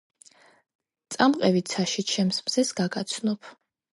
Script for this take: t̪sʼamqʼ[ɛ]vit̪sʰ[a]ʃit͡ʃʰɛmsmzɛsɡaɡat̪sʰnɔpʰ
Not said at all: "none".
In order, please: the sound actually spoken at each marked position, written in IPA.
ɛ, a

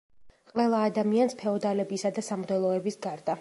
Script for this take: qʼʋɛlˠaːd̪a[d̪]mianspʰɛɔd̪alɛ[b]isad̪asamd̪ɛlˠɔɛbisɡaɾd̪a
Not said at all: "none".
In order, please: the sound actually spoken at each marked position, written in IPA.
none, b

